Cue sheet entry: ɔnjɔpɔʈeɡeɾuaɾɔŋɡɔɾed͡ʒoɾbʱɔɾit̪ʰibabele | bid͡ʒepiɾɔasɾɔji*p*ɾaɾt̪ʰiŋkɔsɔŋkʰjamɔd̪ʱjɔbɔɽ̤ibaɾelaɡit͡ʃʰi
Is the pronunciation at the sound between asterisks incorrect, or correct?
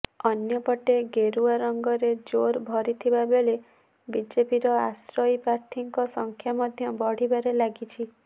correct